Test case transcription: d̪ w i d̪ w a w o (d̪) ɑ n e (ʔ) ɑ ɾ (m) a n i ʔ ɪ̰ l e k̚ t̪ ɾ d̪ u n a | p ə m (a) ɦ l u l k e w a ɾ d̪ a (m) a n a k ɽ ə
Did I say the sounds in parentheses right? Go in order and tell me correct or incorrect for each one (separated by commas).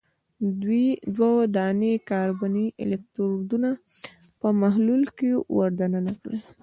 correct, incorrect, incorrect, correct, incorrect